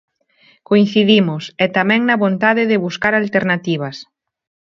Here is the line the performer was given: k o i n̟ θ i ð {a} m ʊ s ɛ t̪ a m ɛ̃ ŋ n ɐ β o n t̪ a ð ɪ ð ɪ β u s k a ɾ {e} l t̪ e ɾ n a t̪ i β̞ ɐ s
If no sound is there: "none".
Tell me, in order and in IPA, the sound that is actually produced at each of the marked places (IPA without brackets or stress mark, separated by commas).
i, a